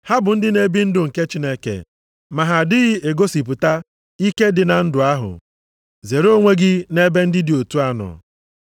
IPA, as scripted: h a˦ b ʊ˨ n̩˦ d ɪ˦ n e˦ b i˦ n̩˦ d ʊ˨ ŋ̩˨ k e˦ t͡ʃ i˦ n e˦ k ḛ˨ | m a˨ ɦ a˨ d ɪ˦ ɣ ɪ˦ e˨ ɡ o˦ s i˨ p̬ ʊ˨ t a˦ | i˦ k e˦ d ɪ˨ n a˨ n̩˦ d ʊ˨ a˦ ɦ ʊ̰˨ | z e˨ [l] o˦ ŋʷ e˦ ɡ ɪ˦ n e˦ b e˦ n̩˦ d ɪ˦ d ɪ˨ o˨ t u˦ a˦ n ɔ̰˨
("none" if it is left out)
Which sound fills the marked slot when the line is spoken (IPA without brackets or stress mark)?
ɾ